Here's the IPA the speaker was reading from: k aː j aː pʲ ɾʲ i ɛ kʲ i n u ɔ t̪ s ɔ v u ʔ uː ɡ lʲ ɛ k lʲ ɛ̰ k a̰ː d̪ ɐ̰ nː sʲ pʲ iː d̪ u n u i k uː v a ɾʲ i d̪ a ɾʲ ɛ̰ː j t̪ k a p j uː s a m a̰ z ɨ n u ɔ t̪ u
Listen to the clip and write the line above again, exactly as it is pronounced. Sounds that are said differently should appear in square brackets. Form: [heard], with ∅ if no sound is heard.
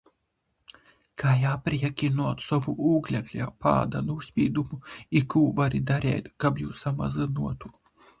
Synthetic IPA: k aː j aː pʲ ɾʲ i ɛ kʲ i n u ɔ t̪ s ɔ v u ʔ uː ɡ lʲ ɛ k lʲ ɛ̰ [p] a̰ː d̪ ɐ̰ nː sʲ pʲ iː d̪ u [m] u i k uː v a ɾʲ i d̪ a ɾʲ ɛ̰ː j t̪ k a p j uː s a m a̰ z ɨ n u ɔ t̪ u